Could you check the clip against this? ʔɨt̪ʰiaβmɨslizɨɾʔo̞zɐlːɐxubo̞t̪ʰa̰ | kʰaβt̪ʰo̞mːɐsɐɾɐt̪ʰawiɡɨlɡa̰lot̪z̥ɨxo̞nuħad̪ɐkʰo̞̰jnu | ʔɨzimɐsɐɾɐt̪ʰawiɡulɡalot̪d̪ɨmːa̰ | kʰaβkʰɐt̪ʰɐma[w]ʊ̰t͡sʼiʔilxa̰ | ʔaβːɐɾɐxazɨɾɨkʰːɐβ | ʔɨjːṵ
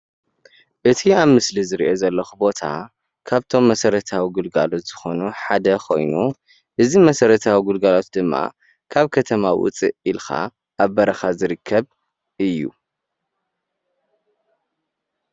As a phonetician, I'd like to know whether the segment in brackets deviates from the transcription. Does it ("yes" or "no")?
no